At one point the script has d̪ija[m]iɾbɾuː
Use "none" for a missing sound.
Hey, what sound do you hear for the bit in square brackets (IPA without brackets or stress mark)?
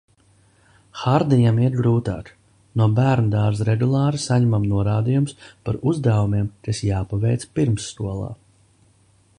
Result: m